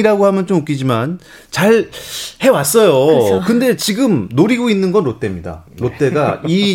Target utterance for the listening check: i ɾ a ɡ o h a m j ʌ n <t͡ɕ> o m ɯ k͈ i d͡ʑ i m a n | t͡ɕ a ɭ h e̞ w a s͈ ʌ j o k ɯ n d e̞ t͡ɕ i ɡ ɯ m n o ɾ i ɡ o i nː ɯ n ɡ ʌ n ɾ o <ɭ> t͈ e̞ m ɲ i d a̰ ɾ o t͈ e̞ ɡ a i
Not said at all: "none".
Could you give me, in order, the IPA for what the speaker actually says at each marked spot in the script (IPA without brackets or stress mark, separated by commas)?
t͡ɕ, none